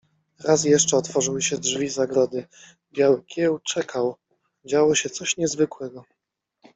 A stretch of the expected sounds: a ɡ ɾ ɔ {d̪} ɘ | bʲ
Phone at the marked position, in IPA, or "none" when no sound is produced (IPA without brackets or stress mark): d̪